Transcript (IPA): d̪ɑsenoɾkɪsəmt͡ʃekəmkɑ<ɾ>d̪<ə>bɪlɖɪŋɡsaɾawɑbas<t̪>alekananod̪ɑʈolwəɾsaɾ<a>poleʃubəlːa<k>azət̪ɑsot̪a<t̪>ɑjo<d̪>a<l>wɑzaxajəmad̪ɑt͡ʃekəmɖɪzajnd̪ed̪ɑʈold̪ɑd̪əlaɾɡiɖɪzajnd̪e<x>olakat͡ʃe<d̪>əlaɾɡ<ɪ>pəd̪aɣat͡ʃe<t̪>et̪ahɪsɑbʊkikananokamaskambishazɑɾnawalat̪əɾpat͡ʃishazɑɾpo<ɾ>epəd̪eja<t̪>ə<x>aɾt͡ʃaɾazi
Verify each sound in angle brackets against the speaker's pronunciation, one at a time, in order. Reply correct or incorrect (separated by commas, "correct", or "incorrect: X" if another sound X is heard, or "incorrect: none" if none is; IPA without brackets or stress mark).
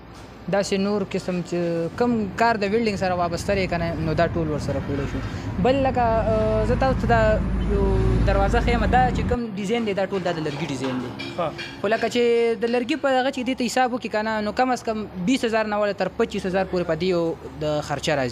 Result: correct, correct, correct, correct, correct, incorrect: d̪, correct, incorrect: ɾ, correct, correct, incorrect: i, incorrect: d̪, correct, incorrect: d̪, correct